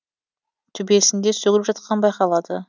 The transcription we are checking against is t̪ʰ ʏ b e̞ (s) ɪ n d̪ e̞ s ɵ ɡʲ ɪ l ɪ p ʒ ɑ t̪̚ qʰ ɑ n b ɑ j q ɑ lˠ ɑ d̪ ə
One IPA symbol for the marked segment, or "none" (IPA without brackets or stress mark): s